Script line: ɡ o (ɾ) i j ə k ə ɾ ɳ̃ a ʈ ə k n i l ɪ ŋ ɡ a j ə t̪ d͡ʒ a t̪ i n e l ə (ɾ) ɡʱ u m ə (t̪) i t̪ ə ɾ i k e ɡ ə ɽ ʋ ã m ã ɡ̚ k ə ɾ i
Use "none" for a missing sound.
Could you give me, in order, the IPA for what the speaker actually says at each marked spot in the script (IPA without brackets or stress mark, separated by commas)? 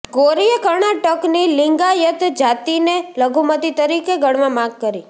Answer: ɾ, none, t̪